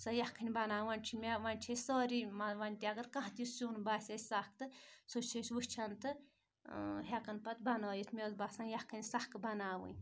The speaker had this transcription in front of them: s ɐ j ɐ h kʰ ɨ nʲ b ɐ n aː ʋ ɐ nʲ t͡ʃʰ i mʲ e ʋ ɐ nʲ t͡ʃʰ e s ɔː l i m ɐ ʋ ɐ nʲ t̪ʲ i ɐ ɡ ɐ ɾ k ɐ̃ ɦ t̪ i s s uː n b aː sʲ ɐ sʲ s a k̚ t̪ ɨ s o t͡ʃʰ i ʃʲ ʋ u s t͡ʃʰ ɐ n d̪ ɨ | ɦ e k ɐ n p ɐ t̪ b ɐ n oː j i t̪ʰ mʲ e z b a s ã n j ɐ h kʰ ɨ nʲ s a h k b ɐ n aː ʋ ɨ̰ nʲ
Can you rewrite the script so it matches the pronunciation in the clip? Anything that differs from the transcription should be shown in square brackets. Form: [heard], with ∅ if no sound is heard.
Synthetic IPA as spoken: s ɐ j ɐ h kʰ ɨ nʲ b ɐ n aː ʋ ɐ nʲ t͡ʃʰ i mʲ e ʋ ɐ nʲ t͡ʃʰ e s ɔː [ɾ] i m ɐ ʋ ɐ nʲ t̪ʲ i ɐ ɡ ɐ ɾ k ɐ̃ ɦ t̪ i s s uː n b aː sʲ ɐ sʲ s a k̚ t̪ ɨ s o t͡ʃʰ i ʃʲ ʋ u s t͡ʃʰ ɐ n [t̪] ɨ | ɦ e k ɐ n p ɐ t̪ b ɐ n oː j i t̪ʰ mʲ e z b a s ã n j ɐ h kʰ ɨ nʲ s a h k b ɐ n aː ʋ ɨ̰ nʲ